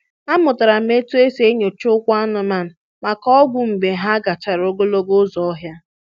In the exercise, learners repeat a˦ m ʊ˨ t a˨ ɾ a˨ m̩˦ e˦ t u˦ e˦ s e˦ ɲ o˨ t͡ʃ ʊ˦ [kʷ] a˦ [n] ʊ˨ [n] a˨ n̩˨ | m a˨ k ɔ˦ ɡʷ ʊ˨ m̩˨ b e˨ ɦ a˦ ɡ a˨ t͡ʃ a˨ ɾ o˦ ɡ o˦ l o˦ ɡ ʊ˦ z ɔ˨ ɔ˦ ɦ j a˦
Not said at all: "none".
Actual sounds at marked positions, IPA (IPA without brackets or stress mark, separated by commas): kʷ, n, m